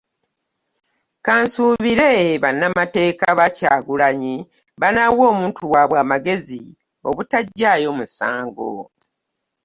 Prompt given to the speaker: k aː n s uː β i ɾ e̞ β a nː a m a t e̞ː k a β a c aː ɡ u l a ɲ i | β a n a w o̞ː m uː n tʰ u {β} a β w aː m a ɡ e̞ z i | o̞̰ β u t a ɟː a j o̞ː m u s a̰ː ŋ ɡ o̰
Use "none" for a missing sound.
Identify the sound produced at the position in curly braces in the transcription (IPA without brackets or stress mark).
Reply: w